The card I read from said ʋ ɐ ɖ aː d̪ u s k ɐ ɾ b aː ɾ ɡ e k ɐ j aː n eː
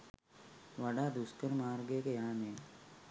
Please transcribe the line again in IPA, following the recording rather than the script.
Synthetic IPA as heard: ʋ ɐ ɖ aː d̪ u s k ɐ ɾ m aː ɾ ɡ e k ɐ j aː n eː